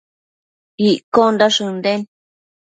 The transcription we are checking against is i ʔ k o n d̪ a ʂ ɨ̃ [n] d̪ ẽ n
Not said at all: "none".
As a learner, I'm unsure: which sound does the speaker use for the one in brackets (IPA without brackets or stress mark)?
n